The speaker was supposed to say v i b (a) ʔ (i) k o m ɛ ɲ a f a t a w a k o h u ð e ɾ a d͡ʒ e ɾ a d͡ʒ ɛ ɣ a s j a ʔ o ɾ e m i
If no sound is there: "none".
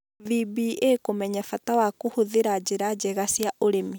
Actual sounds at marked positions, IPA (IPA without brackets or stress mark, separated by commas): i, e